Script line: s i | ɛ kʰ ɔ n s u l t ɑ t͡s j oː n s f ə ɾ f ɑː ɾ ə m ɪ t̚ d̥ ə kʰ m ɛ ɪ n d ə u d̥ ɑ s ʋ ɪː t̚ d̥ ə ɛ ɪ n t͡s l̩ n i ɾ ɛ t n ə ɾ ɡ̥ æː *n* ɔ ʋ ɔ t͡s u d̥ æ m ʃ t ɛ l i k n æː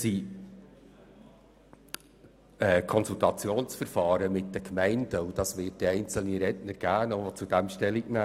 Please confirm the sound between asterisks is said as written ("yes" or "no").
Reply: yes